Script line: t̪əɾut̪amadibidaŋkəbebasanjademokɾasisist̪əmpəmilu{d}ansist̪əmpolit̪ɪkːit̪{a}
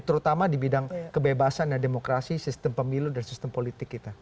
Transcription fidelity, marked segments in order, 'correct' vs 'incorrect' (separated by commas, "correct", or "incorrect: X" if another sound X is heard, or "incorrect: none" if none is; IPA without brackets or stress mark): correct, correct